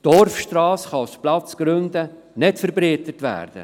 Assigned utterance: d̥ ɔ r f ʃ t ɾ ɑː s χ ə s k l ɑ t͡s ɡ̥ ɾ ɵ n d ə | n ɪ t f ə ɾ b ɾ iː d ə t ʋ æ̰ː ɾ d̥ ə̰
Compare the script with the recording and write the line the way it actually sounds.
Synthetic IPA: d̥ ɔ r f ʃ t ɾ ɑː s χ ɑ s p l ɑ t͡s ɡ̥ ɾ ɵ n d ə | n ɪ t f ə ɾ b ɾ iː t ə t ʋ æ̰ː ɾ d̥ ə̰

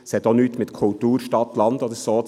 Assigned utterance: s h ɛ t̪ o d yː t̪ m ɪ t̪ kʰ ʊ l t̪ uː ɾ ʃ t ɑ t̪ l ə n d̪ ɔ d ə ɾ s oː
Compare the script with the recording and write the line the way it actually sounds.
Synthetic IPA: s h ɛ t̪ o n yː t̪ m ɪ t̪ kʰ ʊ l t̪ uː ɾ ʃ t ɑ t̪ l ɑ n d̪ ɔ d ə ɾ s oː

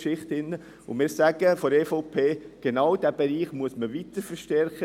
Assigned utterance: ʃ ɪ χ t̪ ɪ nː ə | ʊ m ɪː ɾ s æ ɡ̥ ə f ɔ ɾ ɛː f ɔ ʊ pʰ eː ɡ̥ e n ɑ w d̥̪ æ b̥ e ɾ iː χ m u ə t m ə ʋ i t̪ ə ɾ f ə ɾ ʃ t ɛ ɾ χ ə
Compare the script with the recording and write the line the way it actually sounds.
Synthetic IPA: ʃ ɪ χ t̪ ɪ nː ə | ʊ m ɪː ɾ s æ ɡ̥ ə f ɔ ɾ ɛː f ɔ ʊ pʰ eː ɡ̥ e n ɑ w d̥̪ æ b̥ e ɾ iː χ m u ə s m ə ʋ i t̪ ə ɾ f ə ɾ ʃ t ɛ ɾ χ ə

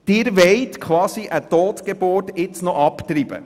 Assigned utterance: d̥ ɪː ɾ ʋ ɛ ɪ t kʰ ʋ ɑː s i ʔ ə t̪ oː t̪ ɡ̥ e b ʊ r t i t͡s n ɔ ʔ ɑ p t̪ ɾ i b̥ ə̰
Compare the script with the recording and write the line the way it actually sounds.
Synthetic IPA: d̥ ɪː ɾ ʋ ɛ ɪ t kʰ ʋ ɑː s i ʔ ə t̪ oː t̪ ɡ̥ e b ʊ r t ɪ t͡s n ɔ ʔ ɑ p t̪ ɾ i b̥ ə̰

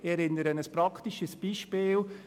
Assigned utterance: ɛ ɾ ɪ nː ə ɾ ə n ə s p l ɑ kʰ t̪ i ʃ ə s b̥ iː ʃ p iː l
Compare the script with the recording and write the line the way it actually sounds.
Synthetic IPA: ɛ ɾ ɪ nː ə ɾ ə n ə s p ɾ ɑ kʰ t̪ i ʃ ə s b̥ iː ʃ p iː l

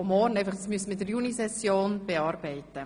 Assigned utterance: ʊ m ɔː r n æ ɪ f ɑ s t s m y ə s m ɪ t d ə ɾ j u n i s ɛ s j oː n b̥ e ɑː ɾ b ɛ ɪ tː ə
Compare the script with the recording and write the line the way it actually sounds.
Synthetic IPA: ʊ m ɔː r n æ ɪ f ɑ χ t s m y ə s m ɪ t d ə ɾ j u n i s ɛ s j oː n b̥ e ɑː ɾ b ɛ ɪ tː ə

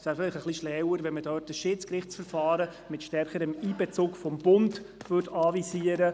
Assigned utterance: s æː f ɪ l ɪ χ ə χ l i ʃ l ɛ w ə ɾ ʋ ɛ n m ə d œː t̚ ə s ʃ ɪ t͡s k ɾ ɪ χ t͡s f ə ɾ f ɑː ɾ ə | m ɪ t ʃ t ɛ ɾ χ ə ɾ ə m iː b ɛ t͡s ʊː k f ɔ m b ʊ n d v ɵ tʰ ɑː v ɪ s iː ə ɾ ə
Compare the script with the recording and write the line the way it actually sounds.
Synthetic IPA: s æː f ɪ l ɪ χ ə χ l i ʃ l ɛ w ə ɾ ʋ ɛ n m ə d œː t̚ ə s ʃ ɪ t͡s k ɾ ɪ χ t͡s f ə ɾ f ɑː ɾ ə | m ɪ t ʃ t ɛ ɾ χ ə ɾ ə m iː b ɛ t͡s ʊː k f ɔ m b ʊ n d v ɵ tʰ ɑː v i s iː ə ɾ ə

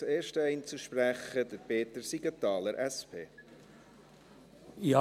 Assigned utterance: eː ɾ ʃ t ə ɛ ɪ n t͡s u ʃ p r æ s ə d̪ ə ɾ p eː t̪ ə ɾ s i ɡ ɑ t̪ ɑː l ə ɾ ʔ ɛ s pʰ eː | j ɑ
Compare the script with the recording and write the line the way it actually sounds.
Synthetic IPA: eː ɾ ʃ t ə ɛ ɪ n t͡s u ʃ p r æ χ ə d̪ ə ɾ p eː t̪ ə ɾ s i ɡ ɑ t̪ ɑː l ə ɾ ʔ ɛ s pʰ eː | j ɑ

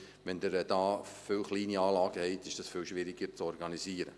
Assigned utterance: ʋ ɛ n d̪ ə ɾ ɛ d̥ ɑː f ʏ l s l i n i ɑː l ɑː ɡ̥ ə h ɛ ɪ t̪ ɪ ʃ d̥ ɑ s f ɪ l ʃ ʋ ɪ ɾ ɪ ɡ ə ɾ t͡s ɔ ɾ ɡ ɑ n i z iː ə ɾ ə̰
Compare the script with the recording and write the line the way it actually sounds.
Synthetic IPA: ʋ ɛ n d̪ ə ɾ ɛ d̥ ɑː f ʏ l χ l iː n i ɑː l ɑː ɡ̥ ə h ɛ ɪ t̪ ɪ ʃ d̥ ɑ s f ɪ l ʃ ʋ ɪ ɾ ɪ ɡ ə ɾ t͡s ɔ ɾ ɡ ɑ n i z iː ə ɾ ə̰

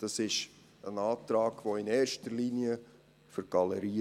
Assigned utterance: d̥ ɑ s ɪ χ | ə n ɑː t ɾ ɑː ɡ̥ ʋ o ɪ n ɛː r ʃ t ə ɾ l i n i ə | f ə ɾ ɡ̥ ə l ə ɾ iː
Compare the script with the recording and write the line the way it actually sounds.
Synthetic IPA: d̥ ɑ s ɪ ʃ | ə n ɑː t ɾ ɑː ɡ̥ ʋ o ɪ n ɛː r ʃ t ə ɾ l i n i ə | f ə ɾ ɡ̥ ɑ l ə ɾ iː

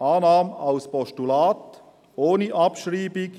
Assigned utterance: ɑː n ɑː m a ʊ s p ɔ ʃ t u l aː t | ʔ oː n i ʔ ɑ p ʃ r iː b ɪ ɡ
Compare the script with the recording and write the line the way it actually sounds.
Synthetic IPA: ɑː n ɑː m a ʊ s p ɔ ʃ t u l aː t | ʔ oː n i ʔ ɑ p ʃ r iː b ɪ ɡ

